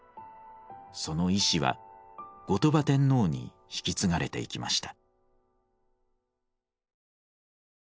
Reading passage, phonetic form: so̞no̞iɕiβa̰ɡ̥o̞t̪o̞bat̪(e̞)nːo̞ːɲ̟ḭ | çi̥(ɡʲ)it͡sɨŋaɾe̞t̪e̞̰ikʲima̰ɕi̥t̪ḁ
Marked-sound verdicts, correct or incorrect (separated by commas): incorrect, incorrect